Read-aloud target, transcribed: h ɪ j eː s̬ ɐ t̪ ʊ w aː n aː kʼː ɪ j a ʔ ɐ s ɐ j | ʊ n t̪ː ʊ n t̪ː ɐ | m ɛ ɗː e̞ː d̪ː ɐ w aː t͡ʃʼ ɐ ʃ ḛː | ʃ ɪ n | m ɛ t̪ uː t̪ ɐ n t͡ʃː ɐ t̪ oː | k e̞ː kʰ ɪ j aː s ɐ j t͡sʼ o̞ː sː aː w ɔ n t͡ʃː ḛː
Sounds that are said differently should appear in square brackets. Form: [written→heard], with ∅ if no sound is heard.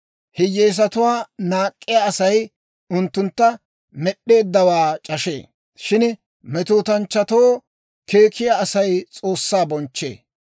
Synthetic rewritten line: h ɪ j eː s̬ ɐ t̪ ʊ w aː n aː kʼː ɪ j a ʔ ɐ s ɐ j | ʊ n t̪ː ʊ n t̪ː ɐ | m ɛ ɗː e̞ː d̪ː ɐ w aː t͡ʃʼ ɐ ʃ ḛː | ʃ ɪ n | m ɛ t̪ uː t̪ ɐ n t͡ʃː ɐ t̪ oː | k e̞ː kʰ ɪ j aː s ɐ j t͡sʼ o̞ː sː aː [w→b] ɔ n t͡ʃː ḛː

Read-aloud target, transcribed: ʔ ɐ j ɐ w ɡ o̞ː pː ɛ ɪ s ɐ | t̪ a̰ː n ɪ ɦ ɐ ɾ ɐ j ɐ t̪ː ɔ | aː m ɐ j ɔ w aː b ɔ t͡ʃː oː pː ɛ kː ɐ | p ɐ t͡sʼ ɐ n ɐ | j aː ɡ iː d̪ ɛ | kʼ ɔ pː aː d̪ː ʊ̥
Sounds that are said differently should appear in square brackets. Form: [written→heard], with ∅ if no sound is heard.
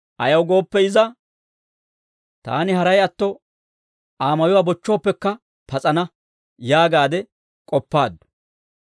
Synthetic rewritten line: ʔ ɐ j ɐ w ɡ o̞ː pː ɛ ɪ [s→z] ɐ | t̪ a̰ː n ɪ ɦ ɐ ɾ ɐ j ɐ t̪ː ɔ | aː m ɐ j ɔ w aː b ɔ t͡ʃː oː pː ɛ kː ɐ | p ɐ t͡sʼ ɐ n ɐ | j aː ɡ [iː→aː] d̪ ɛ | kʼ ɔ pː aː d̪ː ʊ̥

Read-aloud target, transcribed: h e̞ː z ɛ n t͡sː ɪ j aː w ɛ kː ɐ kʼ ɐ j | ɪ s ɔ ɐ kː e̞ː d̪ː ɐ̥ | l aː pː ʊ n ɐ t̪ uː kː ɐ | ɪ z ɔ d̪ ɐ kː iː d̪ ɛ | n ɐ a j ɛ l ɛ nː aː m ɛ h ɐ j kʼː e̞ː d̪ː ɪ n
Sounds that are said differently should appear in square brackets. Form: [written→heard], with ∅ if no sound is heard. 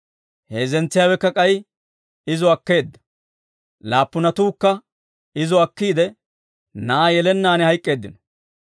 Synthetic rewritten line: h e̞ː z ɛ n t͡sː ɪ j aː w ɛ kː ɐ kʼ ɐ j | ɪ [s→z] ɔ ɐ kː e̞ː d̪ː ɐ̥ | l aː pː ʊ n ɐ t̪ uː kː ɐ | ɪ z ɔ [d̪→∅] ɐ kː iː d̪ ɛ | n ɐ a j ɛ l ɛ nː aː [m→n] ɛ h ɐ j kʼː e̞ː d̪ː ɪ n

